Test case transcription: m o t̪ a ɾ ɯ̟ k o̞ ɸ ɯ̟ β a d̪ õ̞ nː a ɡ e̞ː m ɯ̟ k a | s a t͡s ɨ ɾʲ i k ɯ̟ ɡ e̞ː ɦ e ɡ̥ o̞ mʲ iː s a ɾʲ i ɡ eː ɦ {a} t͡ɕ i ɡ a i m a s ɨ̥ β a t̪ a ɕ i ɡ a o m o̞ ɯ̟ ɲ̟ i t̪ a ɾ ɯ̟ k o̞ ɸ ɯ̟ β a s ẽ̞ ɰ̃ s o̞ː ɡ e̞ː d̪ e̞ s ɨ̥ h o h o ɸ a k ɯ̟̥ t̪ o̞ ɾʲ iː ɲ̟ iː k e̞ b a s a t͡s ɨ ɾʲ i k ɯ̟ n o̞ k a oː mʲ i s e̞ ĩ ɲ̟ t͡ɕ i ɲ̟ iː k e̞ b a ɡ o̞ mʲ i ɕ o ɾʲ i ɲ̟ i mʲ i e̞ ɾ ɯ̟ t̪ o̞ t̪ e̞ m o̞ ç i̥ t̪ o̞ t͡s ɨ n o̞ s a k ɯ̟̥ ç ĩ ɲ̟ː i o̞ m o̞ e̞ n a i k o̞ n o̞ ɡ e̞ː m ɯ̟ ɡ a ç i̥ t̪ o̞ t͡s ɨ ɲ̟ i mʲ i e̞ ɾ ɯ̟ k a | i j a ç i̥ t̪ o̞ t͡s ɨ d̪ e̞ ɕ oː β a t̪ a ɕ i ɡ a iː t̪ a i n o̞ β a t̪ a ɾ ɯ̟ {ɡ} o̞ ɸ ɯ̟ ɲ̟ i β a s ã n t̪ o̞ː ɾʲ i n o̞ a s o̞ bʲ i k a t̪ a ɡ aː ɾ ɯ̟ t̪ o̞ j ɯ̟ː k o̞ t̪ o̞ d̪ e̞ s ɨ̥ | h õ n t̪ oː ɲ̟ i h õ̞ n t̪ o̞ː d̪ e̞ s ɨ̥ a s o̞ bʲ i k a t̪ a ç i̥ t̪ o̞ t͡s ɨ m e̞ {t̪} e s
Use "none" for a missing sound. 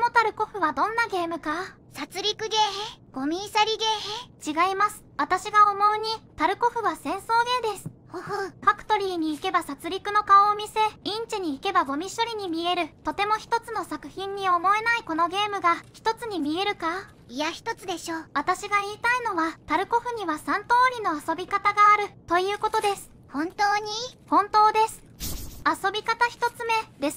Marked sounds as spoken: e, k, d̪

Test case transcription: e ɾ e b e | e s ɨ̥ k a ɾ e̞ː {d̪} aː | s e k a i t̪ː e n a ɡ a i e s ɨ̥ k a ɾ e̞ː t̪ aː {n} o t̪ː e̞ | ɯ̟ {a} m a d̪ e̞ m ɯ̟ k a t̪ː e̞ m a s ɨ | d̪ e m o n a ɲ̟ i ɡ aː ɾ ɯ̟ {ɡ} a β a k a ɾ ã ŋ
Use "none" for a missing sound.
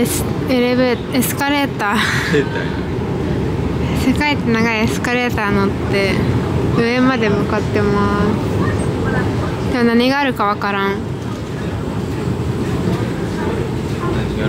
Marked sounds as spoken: t̪, n, e, k

